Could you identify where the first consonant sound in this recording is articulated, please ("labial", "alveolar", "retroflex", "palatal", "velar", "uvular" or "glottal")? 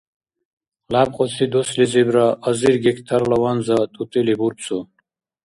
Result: alveolar